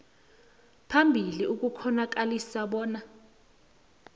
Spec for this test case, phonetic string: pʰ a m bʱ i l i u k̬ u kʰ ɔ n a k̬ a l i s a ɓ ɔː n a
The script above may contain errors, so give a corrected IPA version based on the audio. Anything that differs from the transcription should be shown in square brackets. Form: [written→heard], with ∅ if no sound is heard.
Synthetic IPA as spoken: pʰ a m bʱ i l i u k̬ u kʰ ɔ n a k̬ a l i s a ɓ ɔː n a

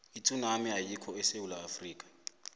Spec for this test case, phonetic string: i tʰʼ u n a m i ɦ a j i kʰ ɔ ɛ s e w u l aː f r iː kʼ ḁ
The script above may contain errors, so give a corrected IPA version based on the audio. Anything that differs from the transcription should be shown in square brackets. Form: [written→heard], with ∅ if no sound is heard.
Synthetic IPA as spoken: i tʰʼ u n a m i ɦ a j i kʰ ɔ ɛ s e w u l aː f r iː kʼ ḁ

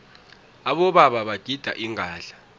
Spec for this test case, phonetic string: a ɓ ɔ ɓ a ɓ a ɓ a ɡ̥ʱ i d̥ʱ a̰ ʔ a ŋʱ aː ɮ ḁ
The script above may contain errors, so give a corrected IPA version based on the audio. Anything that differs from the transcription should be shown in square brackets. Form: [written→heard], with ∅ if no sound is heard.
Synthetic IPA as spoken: a ɓ ɔ ɓ a ɓ a ɓ a ɡ̥ʱ i d̥ʱ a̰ ʔ [a→i] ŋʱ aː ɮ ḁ

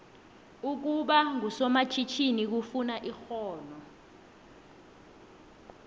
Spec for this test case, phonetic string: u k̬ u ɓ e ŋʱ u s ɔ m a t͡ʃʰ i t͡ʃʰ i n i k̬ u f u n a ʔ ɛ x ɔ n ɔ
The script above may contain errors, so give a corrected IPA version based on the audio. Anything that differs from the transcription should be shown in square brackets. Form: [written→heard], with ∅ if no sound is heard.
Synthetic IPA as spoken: u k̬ u ɓ [e→a] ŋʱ u s ɔ m a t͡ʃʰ i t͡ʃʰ i n i k̬ u f u n a ʔ [ɛ→i] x [ɔ→ɔː] n ɔ

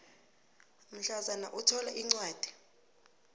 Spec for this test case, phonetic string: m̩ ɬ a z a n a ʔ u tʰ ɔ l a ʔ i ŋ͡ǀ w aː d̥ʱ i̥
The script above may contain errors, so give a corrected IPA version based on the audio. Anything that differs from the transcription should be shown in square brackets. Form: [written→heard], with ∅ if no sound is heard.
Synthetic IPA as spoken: m̩ ɬ a z a n a ʔ u tʰ ɔ l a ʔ i ŋ͡ǀ w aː d̥ʱ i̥

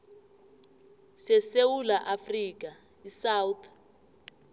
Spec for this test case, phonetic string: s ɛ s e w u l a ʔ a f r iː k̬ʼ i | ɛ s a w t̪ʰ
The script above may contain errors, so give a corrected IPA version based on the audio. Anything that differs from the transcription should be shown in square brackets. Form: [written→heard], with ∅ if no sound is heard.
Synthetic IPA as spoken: s ɛ s e w u l a ʔ a f r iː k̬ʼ [i→a] | [ɛ→i] s a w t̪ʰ

